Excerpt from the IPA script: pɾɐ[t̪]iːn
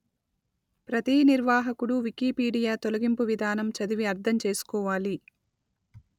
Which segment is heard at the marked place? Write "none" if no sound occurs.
t̪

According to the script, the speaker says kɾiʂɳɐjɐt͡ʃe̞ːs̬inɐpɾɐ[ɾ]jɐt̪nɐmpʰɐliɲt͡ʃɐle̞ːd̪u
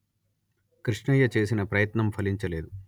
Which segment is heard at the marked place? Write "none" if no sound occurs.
none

